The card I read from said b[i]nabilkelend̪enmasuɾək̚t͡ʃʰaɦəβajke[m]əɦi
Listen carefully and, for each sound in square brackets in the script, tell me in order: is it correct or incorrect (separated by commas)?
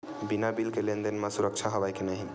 correct, incorrect